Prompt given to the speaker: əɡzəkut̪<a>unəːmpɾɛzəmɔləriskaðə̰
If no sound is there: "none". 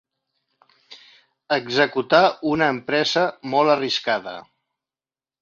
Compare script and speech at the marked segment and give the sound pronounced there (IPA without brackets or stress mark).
a